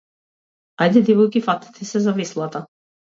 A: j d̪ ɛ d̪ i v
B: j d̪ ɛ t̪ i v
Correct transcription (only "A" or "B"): A